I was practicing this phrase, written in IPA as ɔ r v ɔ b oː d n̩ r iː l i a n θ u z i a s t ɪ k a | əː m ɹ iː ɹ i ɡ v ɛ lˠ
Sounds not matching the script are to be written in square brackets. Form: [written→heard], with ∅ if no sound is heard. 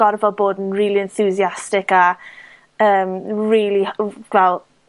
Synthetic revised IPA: ɔ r v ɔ b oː d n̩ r iː l i [a→ɛ] n θ u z i a s t ɪ k a | əː m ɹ iː [ɹ→l] i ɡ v ɛ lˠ